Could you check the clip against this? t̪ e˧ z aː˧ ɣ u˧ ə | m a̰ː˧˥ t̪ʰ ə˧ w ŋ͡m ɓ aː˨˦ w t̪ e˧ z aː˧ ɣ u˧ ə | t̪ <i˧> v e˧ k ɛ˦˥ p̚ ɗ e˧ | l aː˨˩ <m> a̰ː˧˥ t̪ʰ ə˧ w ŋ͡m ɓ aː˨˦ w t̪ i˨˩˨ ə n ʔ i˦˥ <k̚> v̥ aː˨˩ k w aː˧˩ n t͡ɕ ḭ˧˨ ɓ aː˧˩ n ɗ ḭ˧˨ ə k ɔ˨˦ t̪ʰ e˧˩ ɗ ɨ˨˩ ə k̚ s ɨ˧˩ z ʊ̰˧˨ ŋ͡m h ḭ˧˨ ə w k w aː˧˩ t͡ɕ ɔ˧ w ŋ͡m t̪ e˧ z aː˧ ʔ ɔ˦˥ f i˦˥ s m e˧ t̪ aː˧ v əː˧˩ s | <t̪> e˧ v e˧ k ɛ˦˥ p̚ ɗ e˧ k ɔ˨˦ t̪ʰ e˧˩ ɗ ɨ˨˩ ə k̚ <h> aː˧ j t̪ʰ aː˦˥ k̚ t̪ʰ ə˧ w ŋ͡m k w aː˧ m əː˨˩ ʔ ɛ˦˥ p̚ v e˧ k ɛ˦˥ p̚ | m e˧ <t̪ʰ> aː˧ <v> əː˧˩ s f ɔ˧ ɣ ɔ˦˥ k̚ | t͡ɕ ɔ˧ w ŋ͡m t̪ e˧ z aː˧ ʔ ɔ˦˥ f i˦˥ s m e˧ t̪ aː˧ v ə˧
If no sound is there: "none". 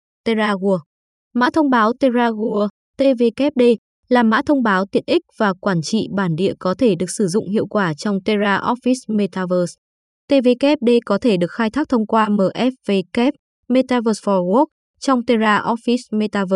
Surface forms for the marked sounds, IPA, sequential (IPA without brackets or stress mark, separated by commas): e˧, m, k̚, t̪, x, t̪, v